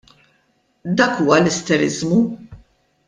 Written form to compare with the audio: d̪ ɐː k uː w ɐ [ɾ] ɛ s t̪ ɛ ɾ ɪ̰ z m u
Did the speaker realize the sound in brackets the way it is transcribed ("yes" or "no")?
no